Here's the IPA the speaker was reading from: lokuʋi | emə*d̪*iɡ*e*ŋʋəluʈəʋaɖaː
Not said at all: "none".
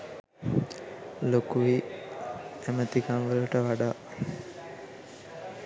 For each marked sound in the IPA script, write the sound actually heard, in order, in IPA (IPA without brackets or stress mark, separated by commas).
t̪, a